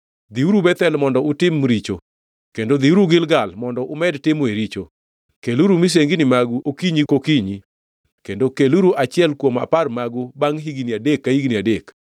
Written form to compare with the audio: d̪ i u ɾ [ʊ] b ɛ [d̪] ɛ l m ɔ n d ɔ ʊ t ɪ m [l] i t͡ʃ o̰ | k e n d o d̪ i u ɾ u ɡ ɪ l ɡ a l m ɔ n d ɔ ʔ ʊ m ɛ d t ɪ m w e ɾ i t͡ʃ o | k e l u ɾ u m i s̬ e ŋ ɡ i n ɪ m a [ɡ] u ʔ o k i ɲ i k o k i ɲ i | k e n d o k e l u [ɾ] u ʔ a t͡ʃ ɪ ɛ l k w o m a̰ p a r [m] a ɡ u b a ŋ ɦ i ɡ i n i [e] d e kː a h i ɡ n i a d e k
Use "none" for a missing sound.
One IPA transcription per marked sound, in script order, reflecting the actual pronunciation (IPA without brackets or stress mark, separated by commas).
u, t̪, ɾ, ɡ, ɾ, m, a